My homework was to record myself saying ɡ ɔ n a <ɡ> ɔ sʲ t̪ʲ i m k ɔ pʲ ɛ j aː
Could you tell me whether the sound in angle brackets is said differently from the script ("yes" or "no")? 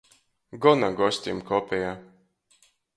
no